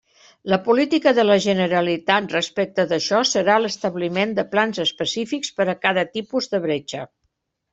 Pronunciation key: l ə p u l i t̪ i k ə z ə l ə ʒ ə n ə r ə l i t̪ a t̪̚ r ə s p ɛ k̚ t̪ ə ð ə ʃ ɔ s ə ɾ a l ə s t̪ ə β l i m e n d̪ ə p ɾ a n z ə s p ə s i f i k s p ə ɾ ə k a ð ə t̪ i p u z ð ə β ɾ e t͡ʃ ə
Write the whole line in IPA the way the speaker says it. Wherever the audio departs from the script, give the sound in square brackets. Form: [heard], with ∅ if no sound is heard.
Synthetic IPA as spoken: l ə p u l i t̪ i k ə [ð] ə l ə ʒ ə n ə [ɾ] ə l i t̪ a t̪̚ r ə s p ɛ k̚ t̪ ə ð ə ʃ ɔ s ə ɾ a l ə s t̪ ə β l i m e n d̪ ə p [l] a n z ə s p ə s i f i k s p ə ɾ ə k a ð ə t̪ i p u z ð ə β ɾ e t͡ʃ ə